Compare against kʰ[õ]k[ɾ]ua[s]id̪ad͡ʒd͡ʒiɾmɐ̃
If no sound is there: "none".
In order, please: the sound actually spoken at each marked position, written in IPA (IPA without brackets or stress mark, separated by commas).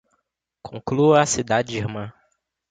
õ, l, s